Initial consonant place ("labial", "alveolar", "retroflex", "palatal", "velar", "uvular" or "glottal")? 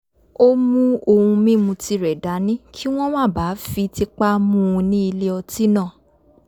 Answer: labial